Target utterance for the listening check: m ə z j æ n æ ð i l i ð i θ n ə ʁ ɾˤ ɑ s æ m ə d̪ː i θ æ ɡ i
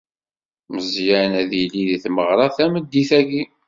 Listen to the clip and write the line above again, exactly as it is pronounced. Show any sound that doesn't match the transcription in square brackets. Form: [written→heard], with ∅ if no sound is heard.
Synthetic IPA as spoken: m ə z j æ n æ ð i l i ð i θ [n→m] ə ʁ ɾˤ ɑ [s→θ] æ m ə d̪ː i θ æ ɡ i